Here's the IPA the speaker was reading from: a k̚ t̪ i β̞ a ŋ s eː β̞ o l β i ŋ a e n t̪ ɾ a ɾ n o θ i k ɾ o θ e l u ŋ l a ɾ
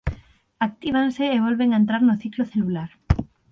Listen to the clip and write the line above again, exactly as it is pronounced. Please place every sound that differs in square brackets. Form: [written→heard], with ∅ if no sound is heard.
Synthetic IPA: a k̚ t̪ i β̞ a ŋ s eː β̞ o l β [i→e] ŋ a e n t̪ ɾ a ɾ n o θ i k [ɾ→l] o θ e l u [ŋ→∅] l a ɾ